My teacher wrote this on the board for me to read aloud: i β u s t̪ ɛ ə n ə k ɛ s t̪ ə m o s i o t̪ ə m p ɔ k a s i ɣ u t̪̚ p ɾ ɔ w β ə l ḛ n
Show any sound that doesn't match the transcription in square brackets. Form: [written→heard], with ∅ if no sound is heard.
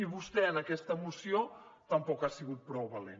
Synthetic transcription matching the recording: i β u s t̪ ɛ ə n ə k ɛ s t̪ ə m [o→u] s i o t̪ ə m p ɔ k a s i ɣ u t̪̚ p ɾ ɔ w β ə l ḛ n